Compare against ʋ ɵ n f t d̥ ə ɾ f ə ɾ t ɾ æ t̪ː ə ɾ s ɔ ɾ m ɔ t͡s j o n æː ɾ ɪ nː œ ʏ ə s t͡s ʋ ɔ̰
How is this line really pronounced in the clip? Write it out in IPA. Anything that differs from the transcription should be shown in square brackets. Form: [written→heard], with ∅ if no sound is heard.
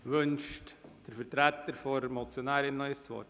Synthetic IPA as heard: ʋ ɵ n [f→ʃ] t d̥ ə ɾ f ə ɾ t ɾ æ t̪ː ə ɾ [s→f] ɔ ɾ m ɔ t͡s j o n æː ɾ ɪ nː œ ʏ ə s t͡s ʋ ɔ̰